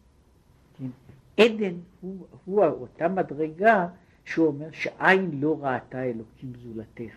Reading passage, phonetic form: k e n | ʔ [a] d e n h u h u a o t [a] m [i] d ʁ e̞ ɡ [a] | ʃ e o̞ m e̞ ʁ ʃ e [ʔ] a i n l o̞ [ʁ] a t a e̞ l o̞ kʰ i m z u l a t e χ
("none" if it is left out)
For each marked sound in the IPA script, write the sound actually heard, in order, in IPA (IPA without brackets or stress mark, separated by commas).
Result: e, a, a, a, ʔ, ʁ